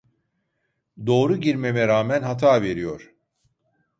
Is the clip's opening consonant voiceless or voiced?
voiced